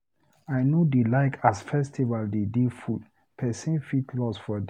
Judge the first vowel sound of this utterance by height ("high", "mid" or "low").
low